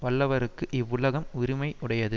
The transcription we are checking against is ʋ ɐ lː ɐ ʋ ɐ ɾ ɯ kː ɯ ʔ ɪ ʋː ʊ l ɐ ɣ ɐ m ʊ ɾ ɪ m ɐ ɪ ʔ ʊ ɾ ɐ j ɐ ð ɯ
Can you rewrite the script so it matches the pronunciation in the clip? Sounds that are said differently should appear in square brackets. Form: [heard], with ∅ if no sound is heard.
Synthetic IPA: ʋ ɐ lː ɐ ʋ ɐ ɾ ɯ kː ɯ ʔ ɪ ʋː ʊ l ɐ ɣ ɐ m ʊ ɾ ɪ m ɐ ɪ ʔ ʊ [ɽ] ɐ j ɐ ð ɯ